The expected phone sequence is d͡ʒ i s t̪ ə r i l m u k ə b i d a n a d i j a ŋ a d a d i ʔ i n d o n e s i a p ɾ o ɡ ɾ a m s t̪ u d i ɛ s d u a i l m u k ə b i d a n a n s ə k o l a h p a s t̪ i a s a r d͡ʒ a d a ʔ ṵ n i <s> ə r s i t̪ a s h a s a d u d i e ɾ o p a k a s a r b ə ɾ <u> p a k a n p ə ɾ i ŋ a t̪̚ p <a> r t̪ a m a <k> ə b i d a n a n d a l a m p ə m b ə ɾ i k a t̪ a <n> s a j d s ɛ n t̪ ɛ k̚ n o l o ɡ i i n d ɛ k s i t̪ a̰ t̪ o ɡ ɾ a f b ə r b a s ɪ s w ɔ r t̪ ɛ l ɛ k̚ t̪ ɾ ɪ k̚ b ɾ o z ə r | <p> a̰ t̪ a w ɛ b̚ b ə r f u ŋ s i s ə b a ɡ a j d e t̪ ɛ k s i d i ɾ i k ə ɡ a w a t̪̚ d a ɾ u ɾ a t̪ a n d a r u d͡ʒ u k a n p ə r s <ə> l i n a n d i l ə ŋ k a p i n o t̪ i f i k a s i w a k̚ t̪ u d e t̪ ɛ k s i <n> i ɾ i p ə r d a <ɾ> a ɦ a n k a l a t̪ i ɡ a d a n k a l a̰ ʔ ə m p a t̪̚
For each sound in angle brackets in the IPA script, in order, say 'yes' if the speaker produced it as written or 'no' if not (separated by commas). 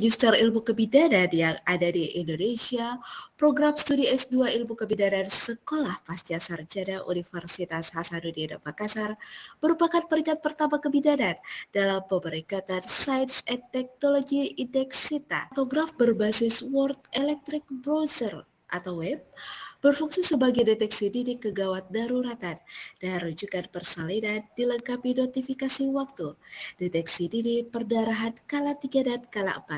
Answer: no, yes, no, yes, yes, no, no, no, yes